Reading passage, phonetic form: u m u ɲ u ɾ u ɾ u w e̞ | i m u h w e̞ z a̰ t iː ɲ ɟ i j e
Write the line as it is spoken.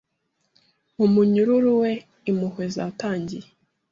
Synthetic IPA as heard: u m u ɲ u ɾ u ɾ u w e̞ | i m u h w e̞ z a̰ t aː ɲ ɟ i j e